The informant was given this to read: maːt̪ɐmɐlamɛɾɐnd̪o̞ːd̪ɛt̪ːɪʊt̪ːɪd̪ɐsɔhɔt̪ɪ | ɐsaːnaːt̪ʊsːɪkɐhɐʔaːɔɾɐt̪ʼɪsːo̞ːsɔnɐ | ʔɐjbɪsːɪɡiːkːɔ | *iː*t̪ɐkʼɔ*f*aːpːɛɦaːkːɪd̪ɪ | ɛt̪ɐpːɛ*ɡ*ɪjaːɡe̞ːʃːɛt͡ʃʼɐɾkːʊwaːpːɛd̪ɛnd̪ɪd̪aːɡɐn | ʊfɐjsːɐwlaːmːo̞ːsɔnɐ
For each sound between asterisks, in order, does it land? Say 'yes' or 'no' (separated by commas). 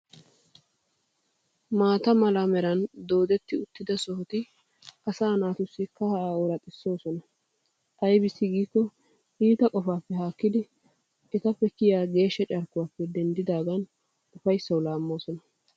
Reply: yes, yes, no